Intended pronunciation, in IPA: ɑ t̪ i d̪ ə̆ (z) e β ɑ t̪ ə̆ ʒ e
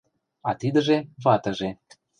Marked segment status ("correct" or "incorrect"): incorrect